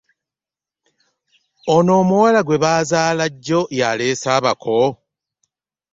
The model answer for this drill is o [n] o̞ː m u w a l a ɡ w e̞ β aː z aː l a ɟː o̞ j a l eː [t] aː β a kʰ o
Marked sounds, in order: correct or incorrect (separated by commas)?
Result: correct, incorrect